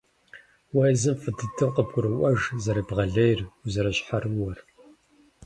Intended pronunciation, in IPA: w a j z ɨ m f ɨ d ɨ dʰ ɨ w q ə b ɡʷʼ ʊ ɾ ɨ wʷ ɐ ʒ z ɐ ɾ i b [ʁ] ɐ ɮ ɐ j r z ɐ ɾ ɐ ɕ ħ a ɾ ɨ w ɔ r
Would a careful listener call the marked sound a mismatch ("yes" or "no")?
no